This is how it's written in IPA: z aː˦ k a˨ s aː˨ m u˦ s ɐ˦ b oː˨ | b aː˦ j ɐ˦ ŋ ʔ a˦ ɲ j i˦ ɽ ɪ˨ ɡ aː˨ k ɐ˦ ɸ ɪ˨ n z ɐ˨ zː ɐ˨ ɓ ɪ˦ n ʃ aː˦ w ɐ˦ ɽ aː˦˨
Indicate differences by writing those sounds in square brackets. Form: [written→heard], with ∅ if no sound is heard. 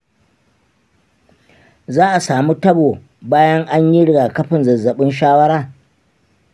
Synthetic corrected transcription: z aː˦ [k→ʔ] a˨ s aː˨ m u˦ [s→t] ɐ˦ b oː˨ | b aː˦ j ɐ˦ ŋ ʔ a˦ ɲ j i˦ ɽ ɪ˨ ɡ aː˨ k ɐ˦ ɸ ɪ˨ n z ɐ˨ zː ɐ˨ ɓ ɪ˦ n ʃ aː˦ w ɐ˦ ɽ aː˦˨